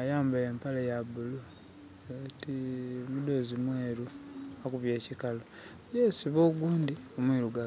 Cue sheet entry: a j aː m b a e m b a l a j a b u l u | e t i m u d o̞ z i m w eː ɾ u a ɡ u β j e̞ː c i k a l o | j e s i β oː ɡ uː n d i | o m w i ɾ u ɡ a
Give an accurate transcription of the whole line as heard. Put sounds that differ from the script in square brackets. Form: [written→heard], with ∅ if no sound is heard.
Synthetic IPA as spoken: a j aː m b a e m [b→p] a l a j a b u l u | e t i m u d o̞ z i m w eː ɾ u a [ɡ→k] u β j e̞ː c i k a l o | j e s i β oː ɡ uː n d i | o m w i ɾ u ɡ a